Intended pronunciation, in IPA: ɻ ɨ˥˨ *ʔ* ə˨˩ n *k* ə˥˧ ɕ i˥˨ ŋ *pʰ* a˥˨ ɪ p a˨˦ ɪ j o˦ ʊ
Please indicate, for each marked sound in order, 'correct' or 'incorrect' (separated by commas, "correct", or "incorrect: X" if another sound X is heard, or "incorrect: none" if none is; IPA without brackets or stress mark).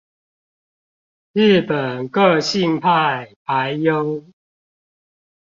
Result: incorrect: p, correct, correct